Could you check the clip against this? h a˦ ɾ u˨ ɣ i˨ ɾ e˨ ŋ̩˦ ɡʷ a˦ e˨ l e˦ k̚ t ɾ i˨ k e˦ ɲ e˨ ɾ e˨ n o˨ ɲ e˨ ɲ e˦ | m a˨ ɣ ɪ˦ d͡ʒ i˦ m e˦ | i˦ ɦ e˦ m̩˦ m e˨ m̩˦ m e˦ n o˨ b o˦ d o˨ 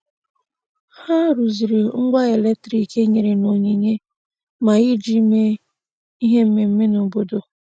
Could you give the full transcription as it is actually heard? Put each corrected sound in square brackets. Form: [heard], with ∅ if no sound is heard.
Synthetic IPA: h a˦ ɾ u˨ [z] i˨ ɾ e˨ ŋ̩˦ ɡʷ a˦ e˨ l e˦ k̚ t ɾ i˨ k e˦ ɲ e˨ ɾ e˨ n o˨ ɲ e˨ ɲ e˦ | m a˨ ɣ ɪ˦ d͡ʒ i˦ m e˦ | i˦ ɦ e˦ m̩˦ m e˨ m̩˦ m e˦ n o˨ b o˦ d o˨